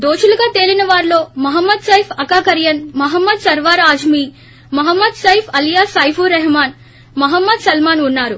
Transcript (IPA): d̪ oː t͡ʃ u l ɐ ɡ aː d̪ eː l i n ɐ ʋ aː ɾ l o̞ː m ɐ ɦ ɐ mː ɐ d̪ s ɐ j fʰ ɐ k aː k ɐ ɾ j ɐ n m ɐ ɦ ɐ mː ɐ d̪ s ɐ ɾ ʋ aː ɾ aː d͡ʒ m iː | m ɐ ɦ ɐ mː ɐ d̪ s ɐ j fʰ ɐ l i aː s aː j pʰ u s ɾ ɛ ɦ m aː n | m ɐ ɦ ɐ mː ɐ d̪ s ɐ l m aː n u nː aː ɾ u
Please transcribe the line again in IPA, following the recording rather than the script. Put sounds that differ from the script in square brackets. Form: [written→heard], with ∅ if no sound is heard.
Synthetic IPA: d̪ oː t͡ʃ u l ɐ ɡ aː [d̪→t̪] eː l i n ɐ ʋ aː ɾ l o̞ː m ɐ ɦ ɐ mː ɐ d̪ s ɐ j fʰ ɐ k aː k ɐ ɾ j ɐ n m ɐ ɦ ɐ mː ɐ d̪ s ɐ ɾ ʋ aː ɾ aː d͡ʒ m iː | m ɐ ɦ ɐ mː ɐ d̪ s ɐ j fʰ ɐ l [i→j] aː s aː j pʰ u [s→∅] ɾ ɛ ɦ m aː n | m ɐ ɦ ɐ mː ɐ d̪ s ɐ l m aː n u nː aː ɾ u

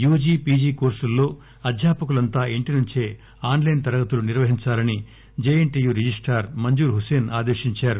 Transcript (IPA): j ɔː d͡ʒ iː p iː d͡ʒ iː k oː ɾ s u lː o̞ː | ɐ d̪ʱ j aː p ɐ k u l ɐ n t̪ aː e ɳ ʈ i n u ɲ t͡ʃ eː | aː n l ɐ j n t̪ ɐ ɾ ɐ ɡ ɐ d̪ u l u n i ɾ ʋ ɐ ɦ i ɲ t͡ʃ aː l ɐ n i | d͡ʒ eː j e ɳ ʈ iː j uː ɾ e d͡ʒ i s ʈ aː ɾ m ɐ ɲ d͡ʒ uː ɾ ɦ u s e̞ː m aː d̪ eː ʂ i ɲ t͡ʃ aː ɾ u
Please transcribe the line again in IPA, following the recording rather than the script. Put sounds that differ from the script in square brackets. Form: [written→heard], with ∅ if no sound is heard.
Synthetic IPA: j [ɔː→uː] d͡ʒ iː p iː d͡ʒ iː k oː ɾ s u lː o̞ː | ɐ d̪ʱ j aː p ɐ k u l ɐ n t̪ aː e ɳ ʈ i n u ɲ t͡ʃ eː | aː n l ɐ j n t̪ ɐ ɾ ɐ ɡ ɐ [d̪→t̪] u l u n i ɾ ʋ ɐ ɦ i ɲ t͡ʃ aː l ɐ n i | d͡ʒ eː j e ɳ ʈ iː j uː ɾ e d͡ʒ i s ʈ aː ɾ m ɐ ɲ d͡ʒ uː ɾ ɦ u s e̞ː [m→n] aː d̪ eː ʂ i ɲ t͡ʃ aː ɾ u

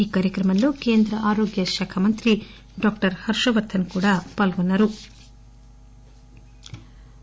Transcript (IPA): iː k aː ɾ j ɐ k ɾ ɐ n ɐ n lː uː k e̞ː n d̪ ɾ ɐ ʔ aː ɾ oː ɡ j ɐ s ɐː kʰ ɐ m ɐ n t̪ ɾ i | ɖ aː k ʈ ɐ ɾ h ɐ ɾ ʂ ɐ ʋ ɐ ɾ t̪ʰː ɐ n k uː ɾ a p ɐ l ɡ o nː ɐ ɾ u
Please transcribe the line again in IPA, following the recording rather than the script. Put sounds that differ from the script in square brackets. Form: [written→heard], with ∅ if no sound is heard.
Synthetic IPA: iː k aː ɾ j ɐ k ɾ ɐ [n→m] ɐ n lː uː k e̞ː n d̪ ɾ ɐ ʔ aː ɾ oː ɡ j ɐ [s→ʃ] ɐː kʰ ɐ m ɐ n t̪ ɾ i | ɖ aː k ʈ ɐ ɾ h ɐ ɾ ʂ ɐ ʋ ɐ ɾ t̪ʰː ɐ n k uː [ɾ→ɽ] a p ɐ l ɡ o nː ɐ ɾ u

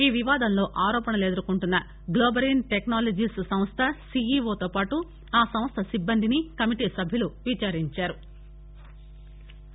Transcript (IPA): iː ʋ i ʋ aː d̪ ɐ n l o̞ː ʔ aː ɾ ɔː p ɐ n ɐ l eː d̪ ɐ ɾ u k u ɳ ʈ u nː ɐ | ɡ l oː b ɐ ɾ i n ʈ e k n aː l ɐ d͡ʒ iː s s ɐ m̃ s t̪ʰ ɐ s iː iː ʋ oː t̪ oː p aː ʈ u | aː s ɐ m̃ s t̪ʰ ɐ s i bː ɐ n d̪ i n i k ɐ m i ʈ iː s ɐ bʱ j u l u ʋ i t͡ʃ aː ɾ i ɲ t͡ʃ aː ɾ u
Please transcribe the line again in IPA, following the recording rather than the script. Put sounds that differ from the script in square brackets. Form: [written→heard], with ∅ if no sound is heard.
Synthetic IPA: iː ʋ i ʋ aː d̪ ɐ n l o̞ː ʔ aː ɾ ɔː p ɐ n ɐ l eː d̪ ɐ ɾ u k u ɳ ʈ u nː ɐ | ɡ l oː b ɐ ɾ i n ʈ e k n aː l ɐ d͡ʒ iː s s ɐ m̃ s t̪ʰ ɐ s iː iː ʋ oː t̪ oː p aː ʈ u | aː s ɐ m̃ s t̪ʰ ɐ s i bː ɐ n d̪ i n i k ɐ m i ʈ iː s ɐ bʱ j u l u ʋ i t͡ʃ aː ɾ i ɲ t͡ʃ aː ɾ u

